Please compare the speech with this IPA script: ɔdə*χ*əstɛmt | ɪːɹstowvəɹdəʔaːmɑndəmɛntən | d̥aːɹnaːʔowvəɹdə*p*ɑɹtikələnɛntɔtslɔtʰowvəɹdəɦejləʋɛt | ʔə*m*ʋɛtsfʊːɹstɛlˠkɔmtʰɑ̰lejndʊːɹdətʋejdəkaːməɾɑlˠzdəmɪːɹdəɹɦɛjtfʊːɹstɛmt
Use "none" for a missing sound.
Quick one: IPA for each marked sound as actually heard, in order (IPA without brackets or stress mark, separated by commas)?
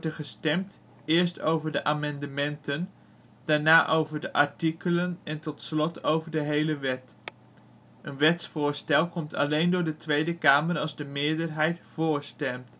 χ, ʔ, n